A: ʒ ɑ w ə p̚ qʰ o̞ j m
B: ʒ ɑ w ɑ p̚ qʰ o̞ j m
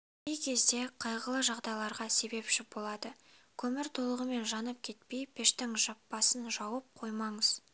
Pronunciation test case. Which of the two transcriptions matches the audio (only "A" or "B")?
A